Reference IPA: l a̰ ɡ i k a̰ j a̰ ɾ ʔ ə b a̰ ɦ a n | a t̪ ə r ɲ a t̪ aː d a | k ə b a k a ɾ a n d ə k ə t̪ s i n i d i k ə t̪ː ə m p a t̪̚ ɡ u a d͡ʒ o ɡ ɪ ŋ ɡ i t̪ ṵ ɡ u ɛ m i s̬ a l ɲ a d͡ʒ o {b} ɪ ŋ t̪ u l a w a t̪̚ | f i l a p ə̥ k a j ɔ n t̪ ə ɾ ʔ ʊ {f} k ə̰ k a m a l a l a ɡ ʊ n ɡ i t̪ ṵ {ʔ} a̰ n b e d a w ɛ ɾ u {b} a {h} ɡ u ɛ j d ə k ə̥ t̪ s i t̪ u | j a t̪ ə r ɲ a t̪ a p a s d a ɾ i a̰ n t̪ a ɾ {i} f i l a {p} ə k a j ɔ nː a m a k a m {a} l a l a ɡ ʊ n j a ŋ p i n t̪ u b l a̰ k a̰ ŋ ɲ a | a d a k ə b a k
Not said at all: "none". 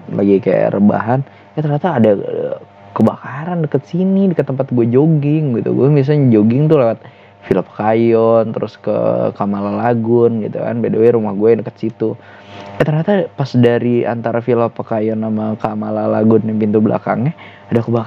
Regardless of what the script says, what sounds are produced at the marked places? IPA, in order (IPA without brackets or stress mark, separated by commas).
ɡ, s, k, m, h, a, p, a